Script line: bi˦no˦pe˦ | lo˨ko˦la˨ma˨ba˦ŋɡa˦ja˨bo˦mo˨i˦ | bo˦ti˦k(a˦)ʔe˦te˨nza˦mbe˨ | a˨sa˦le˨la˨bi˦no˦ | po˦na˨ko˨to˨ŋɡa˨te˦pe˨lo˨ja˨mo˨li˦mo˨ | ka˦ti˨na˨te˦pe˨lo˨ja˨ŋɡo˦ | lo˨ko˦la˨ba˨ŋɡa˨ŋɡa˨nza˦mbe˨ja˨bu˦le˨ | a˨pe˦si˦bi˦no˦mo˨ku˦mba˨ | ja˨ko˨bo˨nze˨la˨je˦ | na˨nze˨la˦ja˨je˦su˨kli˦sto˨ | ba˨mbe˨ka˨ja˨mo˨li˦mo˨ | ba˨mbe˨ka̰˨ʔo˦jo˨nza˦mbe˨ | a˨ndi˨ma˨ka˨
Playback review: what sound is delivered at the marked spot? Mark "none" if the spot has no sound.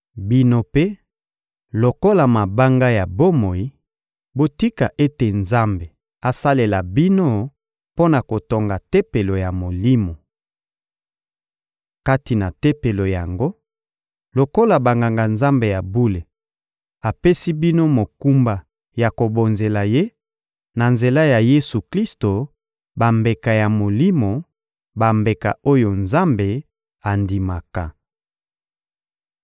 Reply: a˨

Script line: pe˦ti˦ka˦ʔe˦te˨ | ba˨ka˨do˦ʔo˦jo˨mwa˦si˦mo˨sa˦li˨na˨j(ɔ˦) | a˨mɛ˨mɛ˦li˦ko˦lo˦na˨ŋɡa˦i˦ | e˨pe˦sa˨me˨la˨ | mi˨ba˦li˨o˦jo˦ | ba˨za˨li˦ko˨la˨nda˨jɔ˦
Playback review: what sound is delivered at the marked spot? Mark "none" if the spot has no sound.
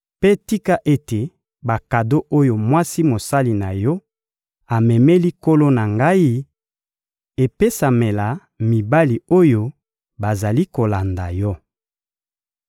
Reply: ɔ˦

